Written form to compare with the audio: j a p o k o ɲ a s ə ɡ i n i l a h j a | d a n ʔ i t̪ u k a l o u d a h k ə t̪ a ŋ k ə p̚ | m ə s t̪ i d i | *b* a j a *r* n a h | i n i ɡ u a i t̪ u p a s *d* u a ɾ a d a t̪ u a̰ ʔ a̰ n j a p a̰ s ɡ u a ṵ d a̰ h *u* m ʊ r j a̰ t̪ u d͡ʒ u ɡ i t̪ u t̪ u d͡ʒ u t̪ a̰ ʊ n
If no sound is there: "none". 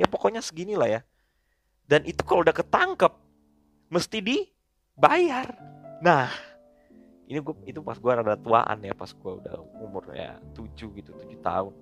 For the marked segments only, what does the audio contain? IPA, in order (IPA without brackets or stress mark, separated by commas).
b, r, ɡ, u